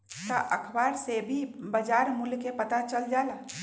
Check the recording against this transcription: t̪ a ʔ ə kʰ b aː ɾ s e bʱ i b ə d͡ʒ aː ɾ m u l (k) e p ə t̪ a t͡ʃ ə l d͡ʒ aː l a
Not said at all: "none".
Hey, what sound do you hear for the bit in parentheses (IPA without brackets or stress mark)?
k